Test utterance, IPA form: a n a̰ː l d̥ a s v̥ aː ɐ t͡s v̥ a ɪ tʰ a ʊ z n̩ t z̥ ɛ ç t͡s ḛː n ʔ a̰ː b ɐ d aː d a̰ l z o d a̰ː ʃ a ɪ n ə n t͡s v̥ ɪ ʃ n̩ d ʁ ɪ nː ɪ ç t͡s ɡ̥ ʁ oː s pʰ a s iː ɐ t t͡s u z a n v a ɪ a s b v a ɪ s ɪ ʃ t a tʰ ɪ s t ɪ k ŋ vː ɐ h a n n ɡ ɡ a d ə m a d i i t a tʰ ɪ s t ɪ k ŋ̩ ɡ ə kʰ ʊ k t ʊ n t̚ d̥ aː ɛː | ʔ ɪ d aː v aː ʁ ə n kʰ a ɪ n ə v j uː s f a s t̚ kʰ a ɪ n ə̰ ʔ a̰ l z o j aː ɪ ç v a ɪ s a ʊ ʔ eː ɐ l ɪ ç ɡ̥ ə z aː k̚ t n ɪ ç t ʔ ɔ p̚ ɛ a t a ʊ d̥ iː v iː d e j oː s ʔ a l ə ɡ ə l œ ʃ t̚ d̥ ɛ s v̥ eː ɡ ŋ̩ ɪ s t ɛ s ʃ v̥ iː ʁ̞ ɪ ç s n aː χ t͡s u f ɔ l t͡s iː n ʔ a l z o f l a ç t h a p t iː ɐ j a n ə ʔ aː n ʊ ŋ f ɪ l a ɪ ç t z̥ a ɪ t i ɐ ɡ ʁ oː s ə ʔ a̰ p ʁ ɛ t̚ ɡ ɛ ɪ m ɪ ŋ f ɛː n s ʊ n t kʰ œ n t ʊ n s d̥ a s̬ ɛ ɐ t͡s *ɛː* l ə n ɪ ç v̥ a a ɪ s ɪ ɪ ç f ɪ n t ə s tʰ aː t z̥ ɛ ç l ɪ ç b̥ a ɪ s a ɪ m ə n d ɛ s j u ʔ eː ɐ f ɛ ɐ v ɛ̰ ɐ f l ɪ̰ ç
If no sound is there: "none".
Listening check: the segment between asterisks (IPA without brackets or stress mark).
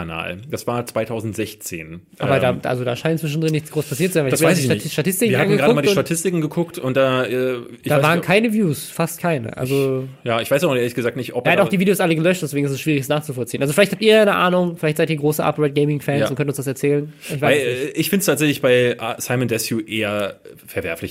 ɛː